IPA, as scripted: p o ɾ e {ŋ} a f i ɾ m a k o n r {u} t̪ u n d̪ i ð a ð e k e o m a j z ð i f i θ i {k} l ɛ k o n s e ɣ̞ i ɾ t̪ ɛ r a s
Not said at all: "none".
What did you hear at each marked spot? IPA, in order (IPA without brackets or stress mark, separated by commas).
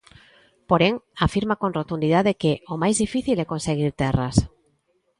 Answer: ŋ, o, none